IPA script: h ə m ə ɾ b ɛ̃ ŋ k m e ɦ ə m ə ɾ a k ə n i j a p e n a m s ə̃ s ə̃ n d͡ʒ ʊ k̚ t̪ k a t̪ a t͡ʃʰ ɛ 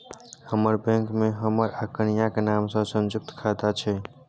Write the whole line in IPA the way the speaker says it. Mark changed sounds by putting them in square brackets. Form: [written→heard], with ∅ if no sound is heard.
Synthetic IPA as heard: h ə m ə ɾ b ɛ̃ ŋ k m e ɦ ə m ə ɾ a k ə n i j a [p→k] e n a m s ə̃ s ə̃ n d͡ʒ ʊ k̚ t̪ [k→kʰ] a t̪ a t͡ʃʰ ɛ